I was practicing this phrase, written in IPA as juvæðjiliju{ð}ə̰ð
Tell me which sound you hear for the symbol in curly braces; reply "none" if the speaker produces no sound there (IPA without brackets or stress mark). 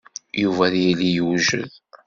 ʒ